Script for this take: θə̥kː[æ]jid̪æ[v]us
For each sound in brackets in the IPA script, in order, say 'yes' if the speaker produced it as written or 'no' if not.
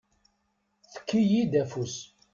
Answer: no, no

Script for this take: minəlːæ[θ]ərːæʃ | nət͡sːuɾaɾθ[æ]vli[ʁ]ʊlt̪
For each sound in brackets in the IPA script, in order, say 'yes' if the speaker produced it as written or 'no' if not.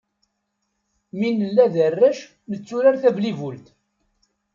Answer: no, yes, no

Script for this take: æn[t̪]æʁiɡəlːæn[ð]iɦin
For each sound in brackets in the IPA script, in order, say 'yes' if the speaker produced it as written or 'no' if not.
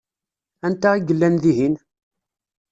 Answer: yes, yes

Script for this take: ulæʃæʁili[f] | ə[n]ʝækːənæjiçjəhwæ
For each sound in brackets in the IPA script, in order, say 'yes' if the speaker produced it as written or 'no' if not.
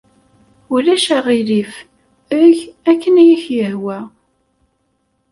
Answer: yes, no

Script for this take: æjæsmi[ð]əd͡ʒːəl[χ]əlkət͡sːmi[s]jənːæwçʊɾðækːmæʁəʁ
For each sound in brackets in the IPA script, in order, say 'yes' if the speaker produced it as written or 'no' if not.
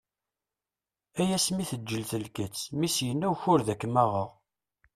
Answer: no, no, yes

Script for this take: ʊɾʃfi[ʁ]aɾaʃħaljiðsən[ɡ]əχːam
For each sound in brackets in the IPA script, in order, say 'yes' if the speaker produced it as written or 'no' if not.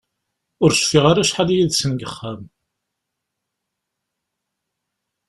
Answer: yes, yes

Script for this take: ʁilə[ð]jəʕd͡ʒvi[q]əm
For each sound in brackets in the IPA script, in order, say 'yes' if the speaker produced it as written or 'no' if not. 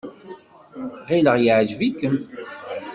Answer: no, no

